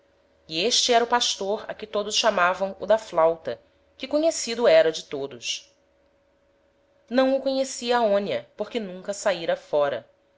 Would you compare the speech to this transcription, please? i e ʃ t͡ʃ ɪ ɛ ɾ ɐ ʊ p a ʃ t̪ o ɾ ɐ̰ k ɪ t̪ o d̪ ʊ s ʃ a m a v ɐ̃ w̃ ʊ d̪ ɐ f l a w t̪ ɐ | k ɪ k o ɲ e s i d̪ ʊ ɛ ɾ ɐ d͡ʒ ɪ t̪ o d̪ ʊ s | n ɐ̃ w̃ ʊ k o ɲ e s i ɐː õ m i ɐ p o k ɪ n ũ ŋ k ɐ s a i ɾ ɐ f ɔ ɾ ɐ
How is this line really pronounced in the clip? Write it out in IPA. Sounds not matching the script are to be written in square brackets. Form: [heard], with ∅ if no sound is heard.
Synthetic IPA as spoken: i e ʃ t͡ʃ ɪ ɛ ɾ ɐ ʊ p a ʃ t̪ o ɾ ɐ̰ k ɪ t̪ o d̪ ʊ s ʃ a m a v ɐ̃ w̃ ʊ d̪ ɐ f l a w t̪ ɐ | k ɪ k o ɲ e s i d̪ ʊ ɛ ɾ ɐ d͡ʒ ɪ t̪ o d̪ ʊ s | n ɐ̃ w̃ ʊ k o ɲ e s i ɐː õ [n] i ɐ p o k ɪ n ũ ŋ k ɐ s a i ɾ ɐ f ɔ ɾ ɐ

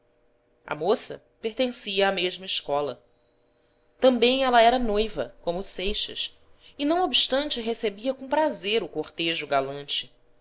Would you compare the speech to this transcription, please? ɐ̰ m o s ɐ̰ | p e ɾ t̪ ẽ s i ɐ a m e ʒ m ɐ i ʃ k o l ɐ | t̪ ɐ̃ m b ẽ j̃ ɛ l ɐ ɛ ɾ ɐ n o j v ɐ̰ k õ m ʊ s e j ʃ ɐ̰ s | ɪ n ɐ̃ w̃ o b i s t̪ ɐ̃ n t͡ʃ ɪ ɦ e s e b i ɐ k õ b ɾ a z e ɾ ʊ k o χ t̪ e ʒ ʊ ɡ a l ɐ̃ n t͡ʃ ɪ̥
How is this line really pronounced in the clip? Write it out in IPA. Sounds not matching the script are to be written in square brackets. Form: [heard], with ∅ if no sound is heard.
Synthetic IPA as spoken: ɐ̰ m o s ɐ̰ | p e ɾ t̪ ẽ s i ɐ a m e ʒ m ɐ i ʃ k [ɔ] l ɐ | t̪ ɐ̃ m b ẽ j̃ ɛ l ɐ ɛ ɾ ɐ n o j v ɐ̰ k õ m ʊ s e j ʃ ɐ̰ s | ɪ n ɐ̃ w̃ o b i [ʃ] t̪ ɐ̃ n t͡ʃ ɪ ɦ e s e b i ɐ k õ [p] ɾ a z e ɾ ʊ k o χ t̪ e ʒ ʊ ɡ a l ɐ̃ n t͡ʃ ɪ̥

